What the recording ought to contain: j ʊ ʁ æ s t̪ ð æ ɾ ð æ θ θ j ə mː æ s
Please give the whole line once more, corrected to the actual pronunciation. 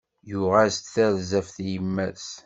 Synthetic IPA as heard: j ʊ ʁ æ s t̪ θ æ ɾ z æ f θ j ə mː æ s